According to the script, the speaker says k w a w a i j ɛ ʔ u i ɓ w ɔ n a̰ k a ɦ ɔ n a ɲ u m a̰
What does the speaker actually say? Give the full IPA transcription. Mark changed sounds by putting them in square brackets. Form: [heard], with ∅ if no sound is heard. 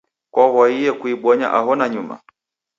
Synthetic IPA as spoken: k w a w a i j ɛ [k] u i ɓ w ɔ [ɲ] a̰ [ʔ] a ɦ ɔ n a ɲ u m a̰